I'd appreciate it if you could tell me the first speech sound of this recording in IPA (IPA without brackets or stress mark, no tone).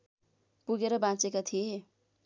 p